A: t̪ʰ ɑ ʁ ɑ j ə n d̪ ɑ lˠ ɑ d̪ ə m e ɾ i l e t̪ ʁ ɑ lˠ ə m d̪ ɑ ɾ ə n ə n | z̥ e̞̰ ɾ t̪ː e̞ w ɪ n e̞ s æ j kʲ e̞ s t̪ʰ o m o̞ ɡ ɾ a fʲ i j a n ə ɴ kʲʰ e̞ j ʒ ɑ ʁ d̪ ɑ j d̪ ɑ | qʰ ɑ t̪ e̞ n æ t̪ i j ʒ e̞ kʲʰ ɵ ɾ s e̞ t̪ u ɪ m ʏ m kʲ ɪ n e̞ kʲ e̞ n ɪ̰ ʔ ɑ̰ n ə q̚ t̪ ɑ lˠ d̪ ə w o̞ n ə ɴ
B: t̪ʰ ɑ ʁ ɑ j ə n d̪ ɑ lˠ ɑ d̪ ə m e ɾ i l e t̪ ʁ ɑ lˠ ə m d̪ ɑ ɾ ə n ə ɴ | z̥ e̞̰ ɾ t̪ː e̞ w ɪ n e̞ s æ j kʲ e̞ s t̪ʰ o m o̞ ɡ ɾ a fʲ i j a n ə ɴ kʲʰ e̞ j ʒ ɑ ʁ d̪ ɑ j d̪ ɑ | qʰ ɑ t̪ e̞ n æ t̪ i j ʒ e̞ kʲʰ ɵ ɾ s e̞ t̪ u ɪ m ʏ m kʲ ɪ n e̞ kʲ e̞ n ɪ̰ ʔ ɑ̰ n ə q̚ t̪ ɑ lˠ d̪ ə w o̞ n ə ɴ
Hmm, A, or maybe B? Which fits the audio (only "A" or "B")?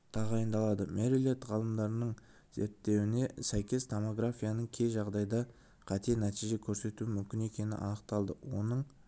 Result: B